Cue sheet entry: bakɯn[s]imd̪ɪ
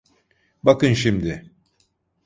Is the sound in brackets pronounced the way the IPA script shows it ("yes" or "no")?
no